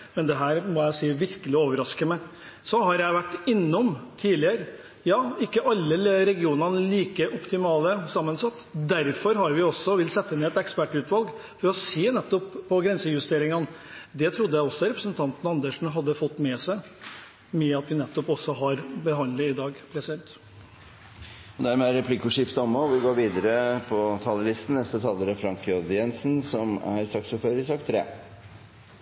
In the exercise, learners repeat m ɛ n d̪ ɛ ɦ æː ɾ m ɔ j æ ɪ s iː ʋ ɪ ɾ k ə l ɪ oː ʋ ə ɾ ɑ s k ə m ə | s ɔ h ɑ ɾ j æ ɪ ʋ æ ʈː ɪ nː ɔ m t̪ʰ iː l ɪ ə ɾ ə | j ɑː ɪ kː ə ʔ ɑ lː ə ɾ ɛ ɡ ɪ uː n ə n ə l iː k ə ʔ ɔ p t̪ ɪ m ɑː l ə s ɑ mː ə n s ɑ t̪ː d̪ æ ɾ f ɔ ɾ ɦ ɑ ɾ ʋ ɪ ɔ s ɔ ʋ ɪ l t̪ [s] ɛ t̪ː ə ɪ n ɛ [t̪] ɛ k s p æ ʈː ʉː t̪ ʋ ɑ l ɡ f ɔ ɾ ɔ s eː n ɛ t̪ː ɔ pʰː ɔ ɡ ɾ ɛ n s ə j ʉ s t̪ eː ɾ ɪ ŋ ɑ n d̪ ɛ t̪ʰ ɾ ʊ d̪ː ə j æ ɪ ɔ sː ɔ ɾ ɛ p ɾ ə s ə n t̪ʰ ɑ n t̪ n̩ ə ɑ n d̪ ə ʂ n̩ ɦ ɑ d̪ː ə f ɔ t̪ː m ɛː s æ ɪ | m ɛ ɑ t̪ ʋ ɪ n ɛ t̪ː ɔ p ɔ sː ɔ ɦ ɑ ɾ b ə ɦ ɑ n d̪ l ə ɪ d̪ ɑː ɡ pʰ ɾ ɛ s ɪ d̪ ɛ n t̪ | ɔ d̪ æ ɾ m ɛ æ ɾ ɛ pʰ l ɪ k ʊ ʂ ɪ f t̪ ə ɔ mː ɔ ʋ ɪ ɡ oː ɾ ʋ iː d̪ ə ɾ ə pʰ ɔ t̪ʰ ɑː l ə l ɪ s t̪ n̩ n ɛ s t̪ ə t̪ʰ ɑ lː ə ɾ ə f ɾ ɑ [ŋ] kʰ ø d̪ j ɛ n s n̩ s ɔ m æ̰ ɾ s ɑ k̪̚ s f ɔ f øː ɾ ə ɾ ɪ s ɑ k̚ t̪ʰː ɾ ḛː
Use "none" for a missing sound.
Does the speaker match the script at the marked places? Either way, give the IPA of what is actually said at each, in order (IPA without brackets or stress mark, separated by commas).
s, t̪, ŋ